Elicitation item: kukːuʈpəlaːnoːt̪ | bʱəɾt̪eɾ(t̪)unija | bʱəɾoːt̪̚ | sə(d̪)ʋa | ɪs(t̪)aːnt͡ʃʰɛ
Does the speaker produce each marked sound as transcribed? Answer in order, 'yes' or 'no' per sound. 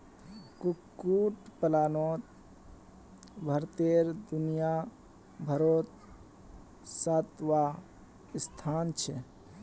no, no, no

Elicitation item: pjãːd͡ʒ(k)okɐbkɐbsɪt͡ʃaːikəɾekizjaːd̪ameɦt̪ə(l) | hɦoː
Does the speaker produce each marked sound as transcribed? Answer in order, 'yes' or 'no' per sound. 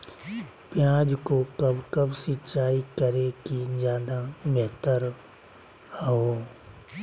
yes, no

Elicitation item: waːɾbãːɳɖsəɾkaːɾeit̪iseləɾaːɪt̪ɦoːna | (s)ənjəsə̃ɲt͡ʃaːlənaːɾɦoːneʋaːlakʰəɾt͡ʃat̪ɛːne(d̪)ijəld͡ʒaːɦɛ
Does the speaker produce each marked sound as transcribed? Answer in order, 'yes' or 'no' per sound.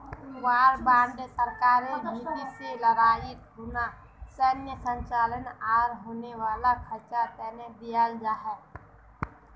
yes, yes

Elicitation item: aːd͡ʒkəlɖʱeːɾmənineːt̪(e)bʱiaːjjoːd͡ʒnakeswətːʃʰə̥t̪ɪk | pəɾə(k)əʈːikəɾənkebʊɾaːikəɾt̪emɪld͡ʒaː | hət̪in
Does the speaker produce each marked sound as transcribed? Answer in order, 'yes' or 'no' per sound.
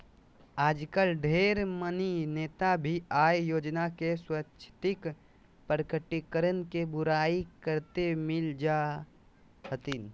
no, yes

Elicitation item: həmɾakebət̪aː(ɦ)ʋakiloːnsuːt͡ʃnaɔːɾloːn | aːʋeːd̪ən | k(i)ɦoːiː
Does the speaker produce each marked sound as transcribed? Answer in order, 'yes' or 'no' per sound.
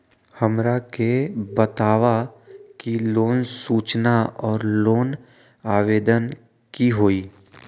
no, yes

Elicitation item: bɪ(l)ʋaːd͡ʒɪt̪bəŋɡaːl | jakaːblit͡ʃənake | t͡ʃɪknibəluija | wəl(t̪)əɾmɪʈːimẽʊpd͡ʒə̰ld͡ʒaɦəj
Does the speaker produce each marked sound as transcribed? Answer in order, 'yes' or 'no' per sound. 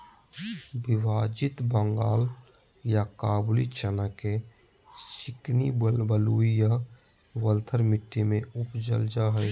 no, no

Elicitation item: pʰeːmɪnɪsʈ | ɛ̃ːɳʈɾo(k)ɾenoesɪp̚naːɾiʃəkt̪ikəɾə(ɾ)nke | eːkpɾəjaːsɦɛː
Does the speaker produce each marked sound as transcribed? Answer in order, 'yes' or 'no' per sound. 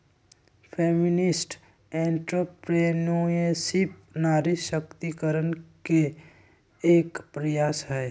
no, no

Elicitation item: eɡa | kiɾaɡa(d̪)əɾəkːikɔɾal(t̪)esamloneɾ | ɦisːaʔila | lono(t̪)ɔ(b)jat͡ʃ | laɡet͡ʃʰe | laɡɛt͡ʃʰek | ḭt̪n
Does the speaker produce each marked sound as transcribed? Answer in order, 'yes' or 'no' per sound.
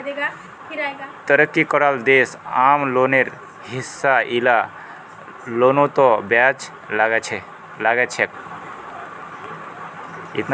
no, no, yes, yes

